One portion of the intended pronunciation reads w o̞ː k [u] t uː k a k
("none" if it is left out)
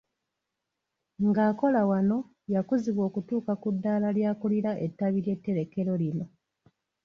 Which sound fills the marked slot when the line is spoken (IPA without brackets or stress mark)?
u